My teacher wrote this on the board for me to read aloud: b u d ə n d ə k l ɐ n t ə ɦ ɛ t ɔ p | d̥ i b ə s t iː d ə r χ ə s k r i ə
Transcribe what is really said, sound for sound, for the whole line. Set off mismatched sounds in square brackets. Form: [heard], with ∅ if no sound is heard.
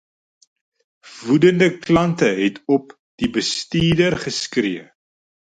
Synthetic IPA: [v] u d ə n d ə k l ɐ n t ə ɦ ɛ t ɔ p | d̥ i b ə s t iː d ə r χ ə s k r i ə